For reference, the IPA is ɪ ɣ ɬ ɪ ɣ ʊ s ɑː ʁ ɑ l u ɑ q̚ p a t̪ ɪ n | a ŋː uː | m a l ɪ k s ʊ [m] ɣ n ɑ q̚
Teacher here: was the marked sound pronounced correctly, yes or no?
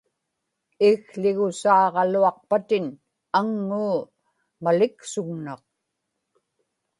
no